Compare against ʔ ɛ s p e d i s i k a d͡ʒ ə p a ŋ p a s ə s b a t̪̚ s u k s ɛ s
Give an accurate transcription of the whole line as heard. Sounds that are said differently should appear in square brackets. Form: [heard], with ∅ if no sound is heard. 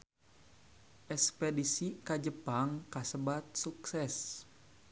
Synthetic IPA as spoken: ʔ ɛ s p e d i s i k a d͡ʒ ə p a ŋ [k] a s ə [∅] b a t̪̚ s u k s ɛ s